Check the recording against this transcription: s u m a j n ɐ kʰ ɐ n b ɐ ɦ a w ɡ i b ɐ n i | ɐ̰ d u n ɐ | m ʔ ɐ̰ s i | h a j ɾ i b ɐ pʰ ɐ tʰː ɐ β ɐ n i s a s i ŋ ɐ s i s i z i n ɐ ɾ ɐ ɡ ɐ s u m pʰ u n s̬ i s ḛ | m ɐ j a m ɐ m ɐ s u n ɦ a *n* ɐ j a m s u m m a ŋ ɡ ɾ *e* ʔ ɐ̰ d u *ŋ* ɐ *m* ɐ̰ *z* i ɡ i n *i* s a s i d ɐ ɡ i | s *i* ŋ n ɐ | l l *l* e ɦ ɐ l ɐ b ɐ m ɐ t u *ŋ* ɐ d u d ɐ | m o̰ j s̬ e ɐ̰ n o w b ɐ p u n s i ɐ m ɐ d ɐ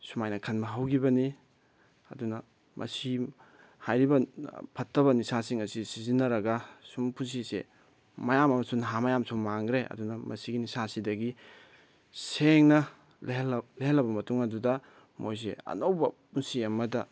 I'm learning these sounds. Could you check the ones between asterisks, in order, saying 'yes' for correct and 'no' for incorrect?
no, yes, no, yes, no, yes, no, yes, yes

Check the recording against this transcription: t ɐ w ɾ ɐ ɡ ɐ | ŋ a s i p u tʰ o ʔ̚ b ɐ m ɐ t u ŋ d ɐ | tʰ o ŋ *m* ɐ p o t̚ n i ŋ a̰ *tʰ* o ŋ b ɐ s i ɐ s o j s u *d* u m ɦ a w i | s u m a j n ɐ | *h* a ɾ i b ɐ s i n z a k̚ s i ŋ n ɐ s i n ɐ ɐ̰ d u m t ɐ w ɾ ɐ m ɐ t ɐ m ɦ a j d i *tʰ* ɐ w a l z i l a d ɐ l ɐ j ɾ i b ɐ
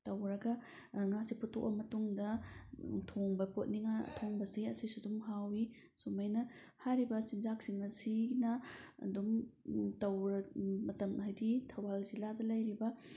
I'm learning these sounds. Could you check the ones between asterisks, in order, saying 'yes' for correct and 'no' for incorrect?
no, yes, yes, yes, yes

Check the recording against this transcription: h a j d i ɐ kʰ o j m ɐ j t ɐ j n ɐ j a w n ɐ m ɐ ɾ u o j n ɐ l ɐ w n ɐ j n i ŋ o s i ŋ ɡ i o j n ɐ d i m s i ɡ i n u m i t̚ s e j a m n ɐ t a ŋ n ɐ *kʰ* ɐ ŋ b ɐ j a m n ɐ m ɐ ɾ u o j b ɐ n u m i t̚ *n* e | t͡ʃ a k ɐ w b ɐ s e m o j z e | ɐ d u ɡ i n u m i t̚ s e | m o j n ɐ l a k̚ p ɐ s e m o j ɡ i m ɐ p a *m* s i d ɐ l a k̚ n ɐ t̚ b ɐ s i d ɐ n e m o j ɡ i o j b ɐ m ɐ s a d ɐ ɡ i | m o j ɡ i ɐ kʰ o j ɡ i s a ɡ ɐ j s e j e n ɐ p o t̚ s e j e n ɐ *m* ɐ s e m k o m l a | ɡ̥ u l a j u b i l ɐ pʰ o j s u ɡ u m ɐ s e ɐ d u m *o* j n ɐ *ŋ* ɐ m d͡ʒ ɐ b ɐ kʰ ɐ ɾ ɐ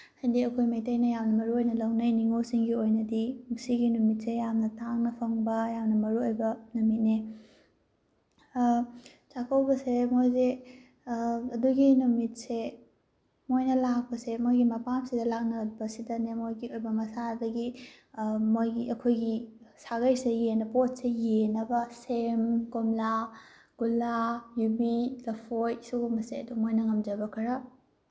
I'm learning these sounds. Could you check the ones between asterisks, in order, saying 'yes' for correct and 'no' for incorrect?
no, yes, yes, no, yes, yes

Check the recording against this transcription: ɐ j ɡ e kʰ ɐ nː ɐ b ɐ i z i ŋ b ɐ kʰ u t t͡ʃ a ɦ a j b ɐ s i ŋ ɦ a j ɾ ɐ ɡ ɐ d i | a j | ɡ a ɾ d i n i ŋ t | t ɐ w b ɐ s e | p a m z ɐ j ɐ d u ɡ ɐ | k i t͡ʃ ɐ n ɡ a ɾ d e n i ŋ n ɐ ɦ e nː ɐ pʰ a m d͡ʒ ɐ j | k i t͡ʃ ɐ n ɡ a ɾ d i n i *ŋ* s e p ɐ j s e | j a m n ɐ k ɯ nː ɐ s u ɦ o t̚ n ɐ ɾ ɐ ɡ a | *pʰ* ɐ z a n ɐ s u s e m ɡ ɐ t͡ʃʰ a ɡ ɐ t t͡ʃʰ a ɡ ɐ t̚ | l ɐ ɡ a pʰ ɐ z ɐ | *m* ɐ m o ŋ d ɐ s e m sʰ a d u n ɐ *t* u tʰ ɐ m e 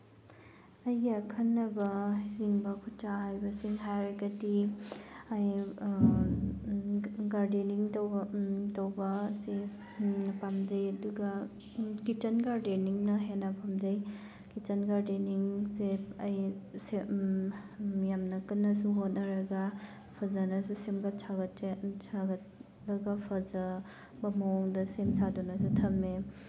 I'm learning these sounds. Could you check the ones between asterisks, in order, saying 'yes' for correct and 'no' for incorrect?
yes, yes, no, no

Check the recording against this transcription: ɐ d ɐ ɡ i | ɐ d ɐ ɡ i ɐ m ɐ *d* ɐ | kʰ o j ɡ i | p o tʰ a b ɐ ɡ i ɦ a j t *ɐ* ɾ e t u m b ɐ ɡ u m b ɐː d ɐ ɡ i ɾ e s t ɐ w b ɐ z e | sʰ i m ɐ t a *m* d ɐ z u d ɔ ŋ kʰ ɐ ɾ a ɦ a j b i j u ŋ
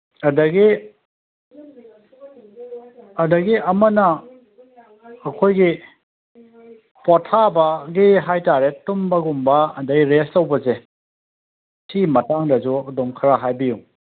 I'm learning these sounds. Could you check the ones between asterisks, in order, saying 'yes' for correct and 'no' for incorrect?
no, no, no

